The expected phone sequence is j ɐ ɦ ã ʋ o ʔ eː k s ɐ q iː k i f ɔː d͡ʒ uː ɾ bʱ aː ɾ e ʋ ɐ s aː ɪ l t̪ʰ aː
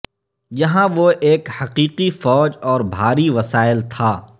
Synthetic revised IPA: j ɐ ɦ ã ʋ o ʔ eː k h ɐ q iː q i f ɔː d͡ʒ ɔː ɾ bʱ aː ɾ i ʋ ɐ s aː ɪ l t̪ʰ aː